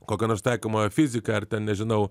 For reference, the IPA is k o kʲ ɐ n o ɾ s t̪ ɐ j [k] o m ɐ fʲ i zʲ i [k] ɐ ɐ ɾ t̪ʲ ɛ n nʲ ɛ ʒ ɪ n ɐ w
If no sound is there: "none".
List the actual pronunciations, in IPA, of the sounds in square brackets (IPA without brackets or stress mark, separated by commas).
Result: k, k